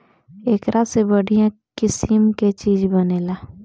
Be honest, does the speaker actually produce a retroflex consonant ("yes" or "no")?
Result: yes